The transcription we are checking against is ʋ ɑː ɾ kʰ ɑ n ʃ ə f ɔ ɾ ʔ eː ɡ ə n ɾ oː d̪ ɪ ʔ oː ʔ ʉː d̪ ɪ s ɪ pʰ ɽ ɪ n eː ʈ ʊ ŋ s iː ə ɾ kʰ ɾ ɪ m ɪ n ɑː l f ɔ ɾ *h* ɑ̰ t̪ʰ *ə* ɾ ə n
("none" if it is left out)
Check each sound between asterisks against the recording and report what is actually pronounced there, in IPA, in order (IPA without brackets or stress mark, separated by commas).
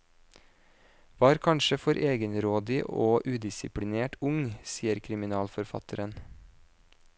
f, ə